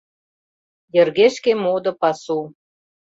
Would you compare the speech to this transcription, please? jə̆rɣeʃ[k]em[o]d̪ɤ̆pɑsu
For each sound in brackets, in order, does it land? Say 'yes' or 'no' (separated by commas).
yes, yes